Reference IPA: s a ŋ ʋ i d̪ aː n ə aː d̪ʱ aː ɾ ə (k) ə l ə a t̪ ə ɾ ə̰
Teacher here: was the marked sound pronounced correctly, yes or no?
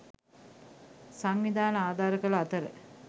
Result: yes